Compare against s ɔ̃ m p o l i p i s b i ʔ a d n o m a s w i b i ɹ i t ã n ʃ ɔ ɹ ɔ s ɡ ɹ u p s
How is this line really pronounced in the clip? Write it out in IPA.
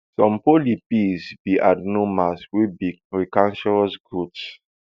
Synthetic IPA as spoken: s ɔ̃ m p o l i p i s b i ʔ a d n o m a s w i b i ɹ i k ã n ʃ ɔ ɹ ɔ s ɡ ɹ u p s

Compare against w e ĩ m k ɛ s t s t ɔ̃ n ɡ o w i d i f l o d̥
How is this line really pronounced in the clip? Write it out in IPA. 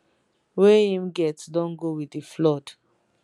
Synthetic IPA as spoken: w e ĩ m ɡ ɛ t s d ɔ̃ n ɡ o w i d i f l ɔ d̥

